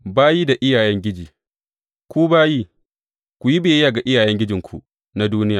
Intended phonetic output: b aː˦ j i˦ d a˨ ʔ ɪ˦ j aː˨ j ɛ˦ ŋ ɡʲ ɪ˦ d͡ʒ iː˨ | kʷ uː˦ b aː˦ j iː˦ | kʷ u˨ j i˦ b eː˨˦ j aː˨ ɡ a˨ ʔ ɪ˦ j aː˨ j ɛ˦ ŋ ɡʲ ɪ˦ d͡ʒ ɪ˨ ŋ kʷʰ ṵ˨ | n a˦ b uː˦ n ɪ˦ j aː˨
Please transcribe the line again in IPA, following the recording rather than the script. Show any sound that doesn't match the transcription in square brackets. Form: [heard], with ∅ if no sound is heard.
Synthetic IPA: b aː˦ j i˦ d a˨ ʔ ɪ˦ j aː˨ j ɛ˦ ŋ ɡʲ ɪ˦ d͡ʒ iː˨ | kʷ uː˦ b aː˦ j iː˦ | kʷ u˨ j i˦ b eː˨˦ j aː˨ ɡ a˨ ʔ ɪ˦ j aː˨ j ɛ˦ ŋ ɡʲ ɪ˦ d͡ʒ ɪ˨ ŋ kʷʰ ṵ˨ | n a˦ [d] uː˦ n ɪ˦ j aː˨